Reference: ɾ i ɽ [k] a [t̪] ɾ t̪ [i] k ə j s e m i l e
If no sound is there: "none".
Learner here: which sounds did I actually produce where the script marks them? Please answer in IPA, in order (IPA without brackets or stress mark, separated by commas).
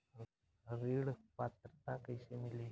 p, t̪, a